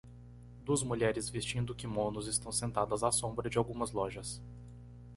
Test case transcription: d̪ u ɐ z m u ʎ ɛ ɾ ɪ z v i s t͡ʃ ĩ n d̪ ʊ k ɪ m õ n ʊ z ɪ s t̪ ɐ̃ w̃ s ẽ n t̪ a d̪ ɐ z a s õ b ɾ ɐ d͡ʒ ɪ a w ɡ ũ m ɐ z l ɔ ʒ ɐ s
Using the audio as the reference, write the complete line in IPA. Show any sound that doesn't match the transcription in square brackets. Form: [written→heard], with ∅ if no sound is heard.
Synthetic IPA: d̪ u ɐ z m u ʎ ɛ ɾ ɪ z v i s t͡ʃ ĩ n d̪ ʊ k ɪ m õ n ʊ z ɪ s t̪ ɐ̃ w̃ s ẽ n t̪ a d̪ ɐ z a s õ b ɾ ɐ d͡ʒ ɪ a w ɡ ũ m ɐ z l ɔ ʒ ɐ s